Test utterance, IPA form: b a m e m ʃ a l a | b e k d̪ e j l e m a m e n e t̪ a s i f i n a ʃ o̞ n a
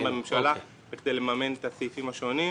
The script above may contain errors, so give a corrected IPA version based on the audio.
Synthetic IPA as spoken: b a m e m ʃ a l a | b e k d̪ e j l e m a m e n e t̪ a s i f i m a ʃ o̞ n i